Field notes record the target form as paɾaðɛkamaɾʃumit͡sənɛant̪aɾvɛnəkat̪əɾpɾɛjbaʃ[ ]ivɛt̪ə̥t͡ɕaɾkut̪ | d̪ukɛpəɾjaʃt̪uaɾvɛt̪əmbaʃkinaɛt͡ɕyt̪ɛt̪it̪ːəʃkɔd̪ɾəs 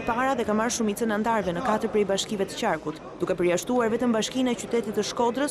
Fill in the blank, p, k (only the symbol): k